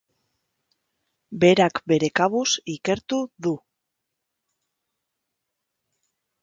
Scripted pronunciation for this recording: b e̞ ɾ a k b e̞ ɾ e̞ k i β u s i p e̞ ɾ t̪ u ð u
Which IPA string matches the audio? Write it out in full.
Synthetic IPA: b e̞ ɾ a k b e̞ ɾ e̞ k a β u s i k e̞ ɾ t̪ u ð u